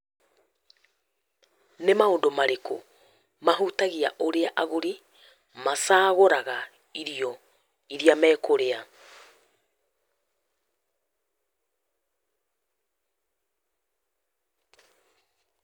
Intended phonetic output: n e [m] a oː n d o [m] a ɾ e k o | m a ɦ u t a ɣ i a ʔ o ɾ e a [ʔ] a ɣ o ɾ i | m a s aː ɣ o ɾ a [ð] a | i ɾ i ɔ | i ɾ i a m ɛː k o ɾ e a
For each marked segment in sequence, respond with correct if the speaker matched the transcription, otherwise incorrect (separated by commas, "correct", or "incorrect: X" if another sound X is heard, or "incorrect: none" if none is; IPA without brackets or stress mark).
correct, correct, correct, incorrect: ɣ